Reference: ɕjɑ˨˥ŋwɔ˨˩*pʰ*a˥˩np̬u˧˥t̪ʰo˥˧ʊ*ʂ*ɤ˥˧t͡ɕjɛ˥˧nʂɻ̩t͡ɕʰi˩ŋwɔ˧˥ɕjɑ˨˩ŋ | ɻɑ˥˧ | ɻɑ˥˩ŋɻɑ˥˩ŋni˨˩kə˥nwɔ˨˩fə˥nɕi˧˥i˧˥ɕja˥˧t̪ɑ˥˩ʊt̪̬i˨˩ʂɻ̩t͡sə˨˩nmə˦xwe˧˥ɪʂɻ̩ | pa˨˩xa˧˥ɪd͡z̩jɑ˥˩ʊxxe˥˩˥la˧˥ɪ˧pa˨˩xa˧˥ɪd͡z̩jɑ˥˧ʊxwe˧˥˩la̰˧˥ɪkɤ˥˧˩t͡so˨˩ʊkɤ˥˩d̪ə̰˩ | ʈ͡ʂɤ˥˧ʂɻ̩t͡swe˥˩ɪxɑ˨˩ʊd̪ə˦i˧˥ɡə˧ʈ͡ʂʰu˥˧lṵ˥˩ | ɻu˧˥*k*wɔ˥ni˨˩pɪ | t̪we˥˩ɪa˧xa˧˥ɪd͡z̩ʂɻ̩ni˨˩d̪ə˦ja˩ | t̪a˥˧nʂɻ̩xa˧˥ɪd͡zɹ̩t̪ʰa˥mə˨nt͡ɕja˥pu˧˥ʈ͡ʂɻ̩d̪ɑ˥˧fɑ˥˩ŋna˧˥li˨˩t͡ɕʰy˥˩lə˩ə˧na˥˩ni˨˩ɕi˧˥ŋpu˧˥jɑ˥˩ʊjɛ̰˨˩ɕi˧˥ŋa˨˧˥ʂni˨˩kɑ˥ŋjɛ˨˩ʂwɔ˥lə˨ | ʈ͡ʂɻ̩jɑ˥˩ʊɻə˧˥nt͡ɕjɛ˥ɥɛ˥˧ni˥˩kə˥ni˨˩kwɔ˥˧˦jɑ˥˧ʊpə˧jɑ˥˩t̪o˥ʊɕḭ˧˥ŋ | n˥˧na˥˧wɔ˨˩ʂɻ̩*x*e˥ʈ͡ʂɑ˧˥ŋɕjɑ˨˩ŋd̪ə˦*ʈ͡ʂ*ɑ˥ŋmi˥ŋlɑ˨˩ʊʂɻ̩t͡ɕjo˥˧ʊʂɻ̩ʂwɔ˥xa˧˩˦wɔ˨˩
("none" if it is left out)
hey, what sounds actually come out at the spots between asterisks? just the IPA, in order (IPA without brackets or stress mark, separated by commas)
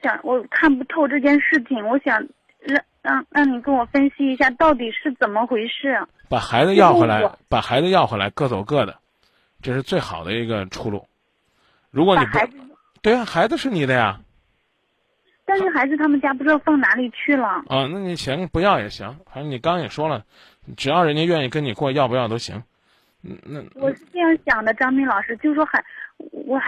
kʰ, ʈ͡ʂ, k, f, ʈ͡ʂ